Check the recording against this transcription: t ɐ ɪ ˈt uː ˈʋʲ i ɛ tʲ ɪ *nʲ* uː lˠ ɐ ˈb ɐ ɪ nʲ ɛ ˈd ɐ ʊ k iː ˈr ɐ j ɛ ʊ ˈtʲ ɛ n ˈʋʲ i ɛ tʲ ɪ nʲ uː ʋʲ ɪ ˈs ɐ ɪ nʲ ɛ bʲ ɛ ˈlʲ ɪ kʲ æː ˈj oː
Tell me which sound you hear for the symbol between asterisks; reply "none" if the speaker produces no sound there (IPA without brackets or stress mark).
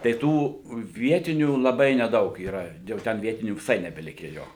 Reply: nʲ